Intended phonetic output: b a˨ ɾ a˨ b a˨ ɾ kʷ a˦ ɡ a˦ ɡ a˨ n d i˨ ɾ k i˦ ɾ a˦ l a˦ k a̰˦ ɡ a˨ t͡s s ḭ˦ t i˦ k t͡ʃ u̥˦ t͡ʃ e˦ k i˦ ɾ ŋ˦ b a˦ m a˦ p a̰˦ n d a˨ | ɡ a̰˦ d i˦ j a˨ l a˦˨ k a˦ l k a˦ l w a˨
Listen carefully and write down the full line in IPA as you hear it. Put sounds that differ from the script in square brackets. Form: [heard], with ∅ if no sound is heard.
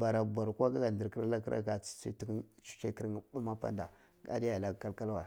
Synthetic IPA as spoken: b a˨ ɾ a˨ b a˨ ɾ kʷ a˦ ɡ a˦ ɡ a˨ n d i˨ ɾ k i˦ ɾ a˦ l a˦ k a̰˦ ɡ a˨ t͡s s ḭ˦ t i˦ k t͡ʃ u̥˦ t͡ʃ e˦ k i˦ ɾ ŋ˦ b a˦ m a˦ p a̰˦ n d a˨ | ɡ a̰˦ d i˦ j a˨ l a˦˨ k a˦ l k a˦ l w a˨